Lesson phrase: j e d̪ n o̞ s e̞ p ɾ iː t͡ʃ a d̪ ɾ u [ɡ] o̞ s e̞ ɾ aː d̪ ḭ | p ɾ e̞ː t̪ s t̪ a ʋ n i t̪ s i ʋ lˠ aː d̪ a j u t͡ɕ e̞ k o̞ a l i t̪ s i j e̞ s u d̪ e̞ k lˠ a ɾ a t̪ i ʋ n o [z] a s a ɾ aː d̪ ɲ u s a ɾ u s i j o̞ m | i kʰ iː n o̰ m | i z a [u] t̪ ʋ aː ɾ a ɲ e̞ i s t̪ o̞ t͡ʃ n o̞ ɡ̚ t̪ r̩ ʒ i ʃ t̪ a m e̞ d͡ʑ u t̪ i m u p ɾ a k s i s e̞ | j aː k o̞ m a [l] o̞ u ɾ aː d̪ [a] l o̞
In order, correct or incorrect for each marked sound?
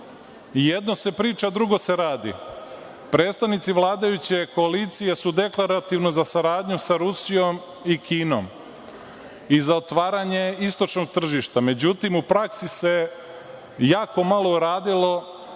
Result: correct, correct, incorrect: o, correct, incorrect: i

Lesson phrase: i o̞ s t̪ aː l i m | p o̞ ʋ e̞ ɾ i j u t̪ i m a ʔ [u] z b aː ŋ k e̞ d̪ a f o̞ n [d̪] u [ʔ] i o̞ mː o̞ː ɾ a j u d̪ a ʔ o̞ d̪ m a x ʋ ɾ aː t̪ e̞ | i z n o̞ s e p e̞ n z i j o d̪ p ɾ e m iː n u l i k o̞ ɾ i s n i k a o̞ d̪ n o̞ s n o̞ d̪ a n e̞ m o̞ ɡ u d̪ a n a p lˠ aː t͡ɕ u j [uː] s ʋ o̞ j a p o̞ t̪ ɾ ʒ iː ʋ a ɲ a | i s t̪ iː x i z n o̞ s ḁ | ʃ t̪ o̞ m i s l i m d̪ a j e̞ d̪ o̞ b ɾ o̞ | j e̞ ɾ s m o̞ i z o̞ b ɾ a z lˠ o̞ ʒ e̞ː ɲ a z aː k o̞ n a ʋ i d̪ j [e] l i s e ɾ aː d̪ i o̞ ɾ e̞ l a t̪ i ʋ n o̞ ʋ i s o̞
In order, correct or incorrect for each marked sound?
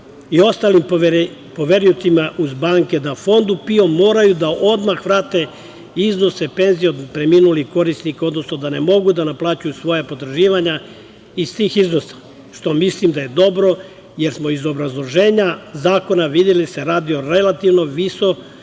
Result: correct, correct, incorrect: p, incorrect: u, correct

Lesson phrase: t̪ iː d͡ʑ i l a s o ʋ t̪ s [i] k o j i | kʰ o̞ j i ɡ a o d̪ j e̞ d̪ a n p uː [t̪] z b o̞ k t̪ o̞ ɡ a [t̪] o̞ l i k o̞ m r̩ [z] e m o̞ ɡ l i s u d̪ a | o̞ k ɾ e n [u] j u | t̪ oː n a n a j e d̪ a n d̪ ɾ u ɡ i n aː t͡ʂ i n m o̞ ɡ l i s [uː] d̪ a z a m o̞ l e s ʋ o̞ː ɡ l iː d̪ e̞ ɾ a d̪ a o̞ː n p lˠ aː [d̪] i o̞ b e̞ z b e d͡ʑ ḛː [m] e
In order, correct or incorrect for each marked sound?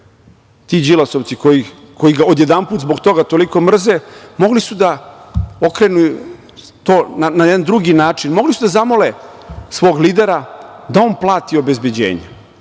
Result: correct, correct, correct, correct, correct, incorrect: u, incorrect: t̪, incorrect: ɲ

